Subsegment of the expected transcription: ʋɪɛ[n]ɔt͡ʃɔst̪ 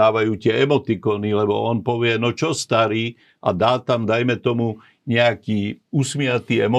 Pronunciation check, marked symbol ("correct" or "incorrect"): correct